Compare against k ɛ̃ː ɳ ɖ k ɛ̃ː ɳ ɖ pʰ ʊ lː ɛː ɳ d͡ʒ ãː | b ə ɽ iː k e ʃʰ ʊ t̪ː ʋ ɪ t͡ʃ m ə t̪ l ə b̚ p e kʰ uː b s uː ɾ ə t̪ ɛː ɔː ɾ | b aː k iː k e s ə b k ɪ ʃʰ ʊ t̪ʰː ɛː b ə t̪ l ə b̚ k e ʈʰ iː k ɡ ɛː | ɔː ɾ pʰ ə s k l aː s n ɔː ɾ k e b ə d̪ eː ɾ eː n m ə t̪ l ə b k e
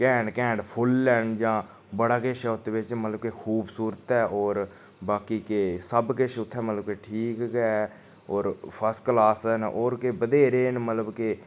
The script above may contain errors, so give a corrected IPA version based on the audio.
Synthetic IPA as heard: k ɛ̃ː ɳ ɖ k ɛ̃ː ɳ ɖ pʰ ʊ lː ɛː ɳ d͡ʒ ãː | b ə ɽ aː k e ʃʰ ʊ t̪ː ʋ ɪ t͡ʃ m ə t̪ l ə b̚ k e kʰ uː b s uː ɾ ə t̪ ɛː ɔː ɾ | b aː k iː k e s ə b k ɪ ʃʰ ʊ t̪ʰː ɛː m ə t̪ l ə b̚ k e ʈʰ iː k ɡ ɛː | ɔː ɾ pʰ ə s k l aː s n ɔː ɾ k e b ə d̪ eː ɾ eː n m ə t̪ l ə b k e